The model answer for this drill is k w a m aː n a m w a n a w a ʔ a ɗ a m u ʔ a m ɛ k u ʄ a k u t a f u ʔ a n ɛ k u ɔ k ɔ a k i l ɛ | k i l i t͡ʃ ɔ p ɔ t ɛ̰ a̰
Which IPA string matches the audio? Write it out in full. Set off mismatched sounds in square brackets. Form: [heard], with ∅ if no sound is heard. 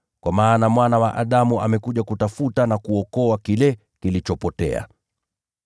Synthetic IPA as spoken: k w a m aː n a m w a n a w a ʔ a ɗ a m u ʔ a m ɛ k u ʄ a k u t a f u [t] a n [a] k u ɔ k ɔ a k i l ɛ | k i l i t͡ʃ ɔ p ɔ t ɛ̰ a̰

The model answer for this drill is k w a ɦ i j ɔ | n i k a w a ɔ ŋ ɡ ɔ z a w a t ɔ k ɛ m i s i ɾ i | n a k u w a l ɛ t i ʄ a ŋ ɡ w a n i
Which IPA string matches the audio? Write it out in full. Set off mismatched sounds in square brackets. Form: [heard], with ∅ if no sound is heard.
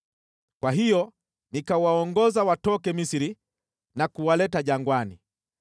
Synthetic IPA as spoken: k w a ɦ i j ɔ | n i k a w a ɔ ŋ ɡ ɔ z a w a t ɔ k ɛ m i s i ɾ i | n a k u w a l ɛ t [a] ʄ a ŋ ɡ w a n i

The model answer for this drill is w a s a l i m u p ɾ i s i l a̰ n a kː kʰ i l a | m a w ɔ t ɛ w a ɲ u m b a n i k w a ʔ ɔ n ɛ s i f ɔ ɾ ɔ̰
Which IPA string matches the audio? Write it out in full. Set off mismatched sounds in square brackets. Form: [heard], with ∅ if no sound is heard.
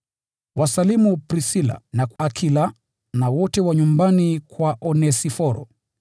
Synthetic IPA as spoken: w a s a l i m u p ɾ i s i l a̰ n a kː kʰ i l a | [n] a w ɔ t ɛ w a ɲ u m b a n i k w a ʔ ɔ n ɛ s i f ɔ ɾ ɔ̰

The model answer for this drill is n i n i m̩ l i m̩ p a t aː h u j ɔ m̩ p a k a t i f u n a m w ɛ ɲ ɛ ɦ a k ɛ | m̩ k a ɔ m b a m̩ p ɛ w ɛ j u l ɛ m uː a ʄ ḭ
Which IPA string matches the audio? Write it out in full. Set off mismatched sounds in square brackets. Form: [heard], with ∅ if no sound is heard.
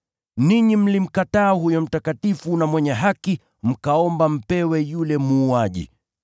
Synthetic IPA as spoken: n i [ɲ] i m̩ l i m̩ [k] a t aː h u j ɔ m̩ [t] a k a t i f u n a m w ɛ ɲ ɛ ɦ a k [i] | m̩ k a ɔ m b a m̩ p ɛ w ɛ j u l ɛ m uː a ʄ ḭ

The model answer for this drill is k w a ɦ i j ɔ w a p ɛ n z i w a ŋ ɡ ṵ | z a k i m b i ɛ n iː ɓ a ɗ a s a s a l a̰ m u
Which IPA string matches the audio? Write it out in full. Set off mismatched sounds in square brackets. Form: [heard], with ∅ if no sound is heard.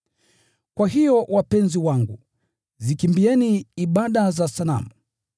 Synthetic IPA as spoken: k w a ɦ i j ɔ w a p ɛ n z i w a ŋ ɡ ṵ | z [i] k i m b i ɛ n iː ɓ a ɗ a [z] a s a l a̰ m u

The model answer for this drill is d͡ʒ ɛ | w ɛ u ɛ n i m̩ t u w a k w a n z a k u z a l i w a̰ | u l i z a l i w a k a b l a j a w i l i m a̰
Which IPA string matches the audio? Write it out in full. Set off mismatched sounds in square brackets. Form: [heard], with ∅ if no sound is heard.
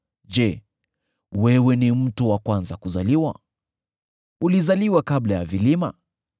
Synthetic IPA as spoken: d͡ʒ ɛ | w ɛ [w] ɛ n i m̩ t u w a k w a n z a k u z a l i w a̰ | u l i z a l i w a k a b l a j a [v] i l i m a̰

